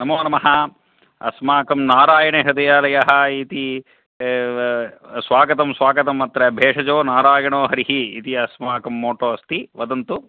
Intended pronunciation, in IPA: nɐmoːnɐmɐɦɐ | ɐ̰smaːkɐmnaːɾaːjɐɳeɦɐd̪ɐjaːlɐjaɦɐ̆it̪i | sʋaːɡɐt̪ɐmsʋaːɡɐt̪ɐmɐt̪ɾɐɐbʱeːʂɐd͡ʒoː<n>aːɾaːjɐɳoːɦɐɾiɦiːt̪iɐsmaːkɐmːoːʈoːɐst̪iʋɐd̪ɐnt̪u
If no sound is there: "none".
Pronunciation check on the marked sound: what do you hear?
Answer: n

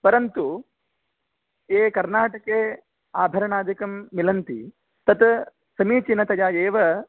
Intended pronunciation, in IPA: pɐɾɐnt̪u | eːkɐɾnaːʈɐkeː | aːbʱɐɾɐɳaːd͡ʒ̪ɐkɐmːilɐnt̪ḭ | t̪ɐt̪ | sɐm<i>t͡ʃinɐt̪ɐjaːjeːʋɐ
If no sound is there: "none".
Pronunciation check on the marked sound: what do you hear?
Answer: iː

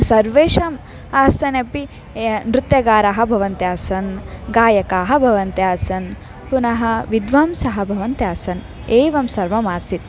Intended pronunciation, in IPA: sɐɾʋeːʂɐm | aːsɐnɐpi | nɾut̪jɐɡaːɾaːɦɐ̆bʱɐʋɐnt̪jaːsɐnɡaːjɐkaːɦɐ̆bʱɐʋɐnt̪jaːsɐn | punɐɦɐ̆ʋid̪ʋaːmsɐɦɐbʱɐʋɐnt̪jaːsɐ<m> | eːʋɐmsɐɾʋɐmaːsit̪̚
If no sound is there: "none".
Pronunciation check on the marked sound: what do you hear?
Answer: n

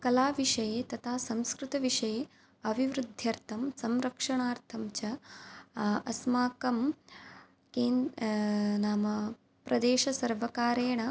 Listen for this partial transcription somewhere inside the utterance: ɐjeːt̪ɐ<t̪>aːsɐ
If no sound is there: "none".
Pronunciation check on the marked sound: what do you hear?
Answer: t̪ʰ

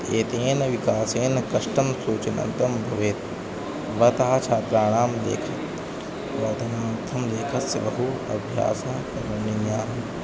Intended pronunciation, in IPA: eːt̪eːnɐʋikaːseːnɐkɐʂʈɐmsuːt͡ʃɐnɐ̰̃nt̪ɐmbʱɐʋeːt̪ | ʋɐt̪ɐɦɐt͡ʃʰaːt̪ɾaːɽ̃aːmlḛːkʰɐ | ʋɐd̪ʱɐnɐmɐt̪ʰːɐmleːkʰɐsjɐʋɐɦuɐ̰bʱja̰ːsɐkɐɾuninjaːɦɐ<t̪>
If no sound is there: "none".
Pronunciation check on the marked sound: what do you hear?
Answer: none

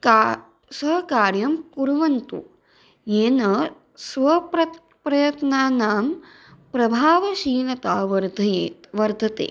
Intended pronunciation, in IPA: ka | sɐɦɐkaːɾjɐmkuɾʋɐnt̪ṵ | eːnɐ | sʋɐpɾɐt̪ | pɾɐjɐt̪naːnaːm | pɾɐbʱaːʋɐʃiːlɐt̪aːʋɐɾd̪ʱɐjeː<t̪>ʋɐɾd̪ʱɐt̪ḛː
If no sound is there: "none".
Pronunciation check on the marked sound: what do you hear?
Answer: t̪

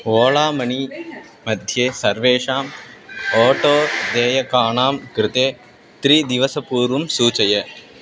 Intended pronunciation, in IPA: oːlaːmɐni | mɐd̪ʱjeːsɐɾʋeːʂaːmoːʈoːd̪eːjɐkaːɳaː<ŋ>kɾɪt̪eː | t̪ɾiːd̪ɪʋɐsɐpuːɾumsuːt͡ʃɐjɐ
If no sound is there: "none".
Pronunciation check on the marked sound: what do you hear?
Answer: m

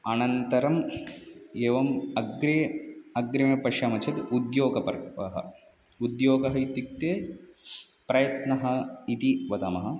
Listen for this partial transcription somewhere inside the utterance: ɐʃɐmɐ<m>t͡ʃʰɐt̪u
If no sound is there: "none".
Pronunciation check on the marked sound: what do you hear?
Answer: none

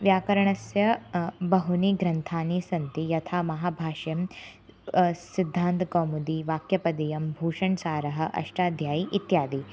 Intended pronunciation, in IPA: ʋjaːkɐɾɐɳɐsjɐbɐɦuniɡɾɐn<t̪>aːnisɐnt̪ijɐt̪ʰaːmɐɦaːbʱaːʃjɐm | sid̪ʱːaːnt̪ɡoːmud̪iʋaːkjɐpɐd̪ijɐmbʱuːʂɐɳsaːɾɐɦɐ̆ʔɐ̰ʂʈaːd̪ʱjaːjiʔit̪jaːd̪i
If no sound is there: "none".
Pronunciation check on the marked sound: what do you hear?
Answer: t̪ʰ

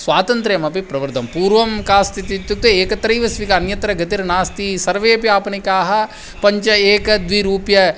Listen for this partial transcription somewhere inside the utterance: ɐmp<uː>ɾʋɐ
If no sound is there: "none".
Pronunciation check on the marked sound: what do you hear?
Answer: uː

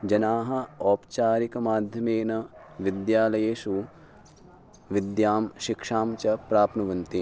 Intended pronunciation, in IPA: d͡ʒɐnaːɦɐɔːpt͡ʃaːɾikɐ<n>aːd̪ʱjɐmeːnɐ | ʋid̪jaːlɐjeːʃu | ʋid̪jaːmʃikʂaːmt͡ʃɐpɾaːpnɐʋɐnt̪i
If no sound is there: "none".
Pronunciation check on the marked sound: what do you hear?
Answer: m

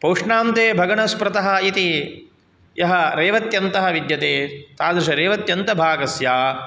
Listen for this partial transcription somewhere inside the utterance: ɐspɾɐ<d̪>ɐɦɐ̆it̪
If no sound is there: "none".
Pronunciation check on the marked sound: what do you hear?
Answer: t̪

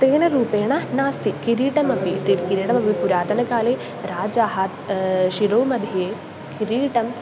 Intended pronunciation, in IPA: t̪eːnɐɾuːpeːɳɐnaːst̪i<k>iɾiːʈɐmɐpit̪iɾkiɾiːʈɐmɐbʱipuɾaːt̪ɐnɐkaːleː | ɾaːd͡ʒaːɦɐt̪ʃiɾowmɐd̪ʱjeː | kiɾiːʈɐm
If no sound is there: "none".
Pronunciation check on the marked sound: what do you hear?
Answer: k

